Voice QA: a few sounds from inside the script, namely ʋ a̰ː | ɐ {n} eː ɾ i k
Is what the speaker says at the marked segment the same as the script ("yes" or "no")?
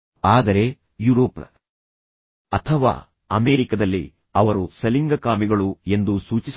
no